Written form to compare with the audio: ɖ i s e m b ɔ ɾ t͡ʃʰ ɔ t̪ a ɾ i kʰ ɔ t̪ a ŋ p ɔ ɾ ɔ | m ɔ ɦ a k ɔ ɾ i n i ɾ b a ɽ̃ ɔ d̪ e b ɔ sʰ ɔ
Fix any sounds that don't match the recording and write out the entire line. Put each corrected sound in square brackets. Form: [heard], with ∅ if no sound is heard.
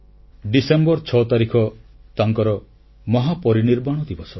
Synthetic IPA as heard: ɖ i s e m b ɔ ɾ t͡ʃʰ ɔ t̪ a ɾ i kʰ ɔ t̪ a ŋ [k] ɔ ɾ ɔ | m ɔ ɦ a [p] ɔ ɾ i n i ɾ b a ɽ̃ ɔ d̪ [i] b ɔ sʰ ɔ